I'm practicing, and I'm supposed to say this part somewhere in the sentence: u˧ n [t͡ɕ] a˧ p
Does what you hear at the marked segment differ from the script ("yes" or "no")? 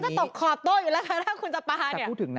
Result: no